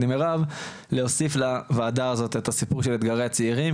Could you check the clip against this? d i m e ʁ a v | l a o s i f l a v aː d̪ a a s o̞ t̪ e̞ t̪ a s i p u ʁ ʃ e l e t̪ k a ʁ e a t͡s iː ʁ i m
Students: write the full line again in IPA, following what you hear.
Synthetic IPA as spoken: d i m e ʁ a v | l e o s i f l a v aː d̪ a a z o̞ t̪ e̞ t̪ a s i p u ʁ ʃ e l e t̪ ɡ a ʁ e a t͡s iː ʁ i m

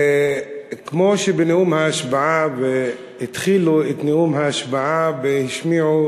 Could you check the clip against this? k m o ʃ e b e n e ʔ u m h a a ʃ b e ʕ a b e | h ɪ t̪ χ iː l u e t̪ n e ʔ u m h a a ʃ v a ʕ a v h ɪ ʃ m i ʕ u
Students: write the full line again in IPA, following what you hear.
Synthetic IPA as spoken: k m o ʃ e b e n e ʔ u m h a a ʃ b a ʕ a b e | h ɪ t̪ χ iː l u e t̪ n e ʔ u m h a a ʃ b a ʕ a b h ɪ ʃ m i ʕ u

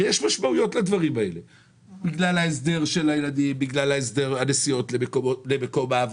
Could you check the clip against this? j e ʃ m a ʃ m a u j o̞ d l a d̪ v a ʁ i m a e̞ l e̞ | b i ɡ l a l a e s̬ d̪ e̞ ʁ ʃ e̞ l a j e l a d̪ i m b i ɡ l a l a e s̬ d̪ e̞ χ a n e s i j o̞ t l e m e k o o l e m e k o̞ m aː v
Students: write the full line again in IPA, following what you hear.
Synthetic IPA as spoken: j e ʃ m a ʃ m a u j o̞ t l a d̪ v a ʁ i m a e̞ l e̞ | b i ɡ l a l a e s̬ d̪ e̞ ʁ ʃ e̞ l a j e l a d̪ i m b i ɡ l a l a e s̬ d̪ e̞ ʁ a n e s i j o̞ t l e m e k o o l e m e k o̞ m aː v

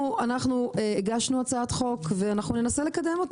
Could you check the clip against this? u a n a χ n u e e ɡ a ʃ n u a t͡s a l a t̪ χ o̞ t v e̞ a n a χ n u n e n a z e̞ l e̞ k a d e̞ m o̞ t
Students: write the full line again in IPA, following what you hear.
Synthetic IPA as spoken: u a n a χ n u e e ɡ a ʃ n u a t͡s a a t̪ χ o̞ k v e̞ a n a χ n u n e n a s e̞ l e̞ k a d e̞ m o̞ t

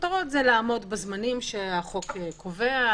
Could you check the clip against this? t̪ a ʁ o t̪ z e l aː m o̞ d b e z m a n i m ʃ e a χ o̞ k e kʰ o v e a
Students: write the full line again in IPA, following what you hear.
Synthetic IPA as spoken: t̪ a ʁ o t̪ z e l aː m o̞ d b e z m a n i m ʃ e a χ o̞ k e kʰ o v e a

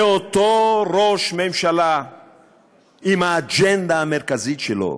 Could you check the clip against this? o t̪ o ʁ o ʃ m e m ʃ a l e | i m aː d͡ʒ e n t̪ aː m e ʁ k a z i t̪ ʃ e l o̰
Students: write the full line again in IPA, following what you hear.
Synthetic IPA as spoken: o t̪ o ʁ o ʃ m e m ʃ a l a | i m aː d͡ʒ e n d̪ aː m e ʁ k a z i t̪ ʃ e l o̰

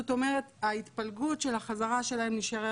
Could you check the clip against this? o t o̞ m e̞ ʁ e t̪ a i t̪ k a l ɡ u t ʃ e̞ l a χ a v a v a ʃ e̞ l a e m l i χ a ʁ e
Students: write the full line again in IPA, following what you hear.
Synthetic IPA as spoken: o t o̞ m e̞ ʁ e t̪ a i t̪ p a l ɡ u t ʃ e̞ l a χ a z a ʁ a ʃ e̞ l a e m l i ʃ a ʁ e

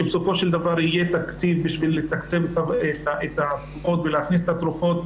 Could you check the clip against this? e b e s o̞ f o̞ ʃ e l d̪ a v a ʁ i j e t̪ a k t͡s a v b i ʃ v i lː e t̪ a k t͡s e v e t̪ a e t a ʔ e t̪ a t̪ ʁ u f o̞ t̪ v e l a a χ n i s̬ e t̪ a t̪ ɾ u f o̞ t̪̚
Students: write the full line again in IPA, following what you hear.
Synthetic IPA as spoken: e b e s o̞ f o̞ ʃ e l d̪ a v a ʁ i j e t̪ a k t͡s i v b i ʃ v i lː e t̪ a k t͡s e v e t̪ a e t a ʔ e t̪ a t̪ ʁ u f o̞ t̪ v e l e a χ n i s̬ e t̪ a t̪ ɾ u f o̞ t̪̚

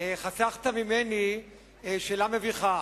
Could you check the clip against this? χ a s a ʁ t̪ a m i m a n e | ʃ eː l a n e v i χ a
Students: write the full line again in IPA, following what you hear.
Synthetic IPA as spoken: χ a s a χ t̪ a m i m e n i | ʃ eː l a m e v i χ a

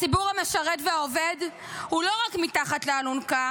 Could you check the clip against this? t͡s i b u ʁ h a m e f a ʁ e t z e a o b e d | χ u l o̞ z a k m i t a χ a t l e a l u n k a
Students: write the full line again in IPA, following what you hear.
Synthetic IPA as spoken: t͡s i b u ʁ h a m e ʃ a ʁ e t v e a o v e d | h u l o̞ ʁ a k m i t a χ a t l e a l u n k a

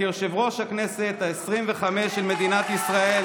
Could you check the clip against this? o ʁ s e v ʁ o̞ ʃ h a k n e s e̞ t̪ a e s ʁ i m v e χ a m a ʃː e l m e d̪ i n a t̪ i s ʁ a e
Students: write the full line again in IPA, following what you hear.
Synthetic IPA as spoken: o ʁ ʃ e v ʁ o̞ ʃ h a k n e s e̞ t̪ a e s ʁ i m v e χ a m e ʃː e l m e d̪ i n a t̪ i s ʁ a e

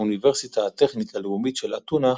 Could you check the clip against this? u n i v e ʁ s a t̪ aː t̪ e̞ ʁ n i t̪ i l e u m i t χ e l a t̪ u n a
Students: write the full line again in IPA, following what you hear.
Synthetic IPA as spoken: u n i v e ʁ s i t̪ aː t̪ e̞ χ n i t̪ a l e u m i t ʃ e l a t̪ u n a

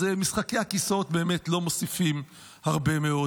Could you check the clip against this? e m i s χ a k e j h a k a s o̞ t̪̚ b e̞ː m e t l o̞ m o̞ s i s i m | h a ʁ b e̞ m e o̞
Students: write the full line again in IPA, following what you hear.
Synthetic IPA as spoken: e m i s χ a k e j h a k i s o̞ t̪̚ b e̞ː m e t l o̞ m o̞ s i f i m | h a ʁ b e̞ m e o̞

